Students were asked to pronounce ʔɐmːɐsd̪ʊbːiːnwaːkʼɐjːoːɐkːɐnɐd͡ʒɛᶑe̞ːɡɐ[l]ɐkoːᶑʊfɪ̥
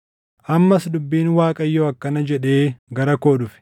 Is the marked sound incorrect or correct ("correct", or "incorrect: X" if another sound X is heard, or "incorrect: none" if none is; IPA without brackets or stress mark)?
incorrect: ɾ